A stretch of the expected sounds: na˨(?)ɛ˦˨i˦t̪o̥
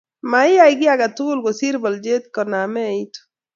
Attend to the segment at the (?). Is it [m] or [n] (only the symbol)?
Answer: m